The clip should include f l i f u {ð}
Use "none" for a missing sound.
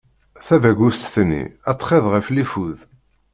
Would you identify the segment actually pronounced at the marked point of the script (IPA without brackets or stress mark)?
ð